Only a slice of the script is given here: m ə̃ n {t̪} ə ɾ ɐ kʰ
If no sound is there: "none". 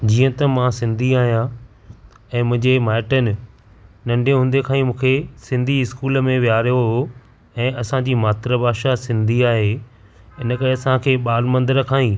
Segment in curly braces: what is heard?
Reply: d̪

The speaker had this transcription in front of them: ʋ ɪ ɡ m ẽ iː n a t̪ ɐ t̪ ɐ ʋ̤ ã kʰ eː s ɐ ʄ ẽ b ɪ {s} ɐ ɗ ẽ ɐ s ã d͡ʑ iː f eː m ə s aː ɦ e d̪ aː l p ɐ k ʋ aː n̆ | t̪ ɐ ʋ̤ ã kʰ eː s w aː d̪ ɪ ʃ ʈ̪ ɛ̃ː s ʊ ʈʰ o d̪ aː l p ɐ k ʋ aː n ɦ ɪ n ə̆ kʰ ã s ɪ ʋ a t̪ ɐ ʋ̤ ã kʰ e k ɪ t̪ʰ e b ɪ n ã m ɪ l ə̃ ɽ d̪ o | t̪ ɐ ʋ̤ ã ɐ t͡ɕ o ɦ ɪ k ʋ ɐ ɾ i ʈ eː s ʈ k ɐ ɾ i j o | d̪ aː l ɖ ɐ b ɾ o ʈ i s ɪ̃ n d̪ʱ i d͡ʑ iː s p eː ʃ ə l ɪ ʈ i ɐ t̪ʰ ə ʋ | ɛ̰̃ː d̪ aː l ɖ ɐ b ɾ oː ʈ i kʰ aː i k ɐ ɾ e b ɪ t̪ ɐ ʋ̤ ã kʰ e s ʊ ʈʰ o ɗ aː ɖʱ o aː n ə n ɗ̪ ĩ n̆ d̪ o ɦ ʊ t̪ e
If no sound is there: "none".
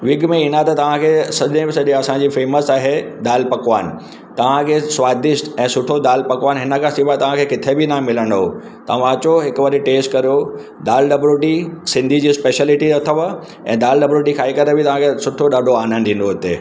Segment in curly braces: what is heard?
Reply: s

